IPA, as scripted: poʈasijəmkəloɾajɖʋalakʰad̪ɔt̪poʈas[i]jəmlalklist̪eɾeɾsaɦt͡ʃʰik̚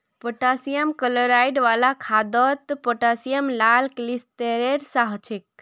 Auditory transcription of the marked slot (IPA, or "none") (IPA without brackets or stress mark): i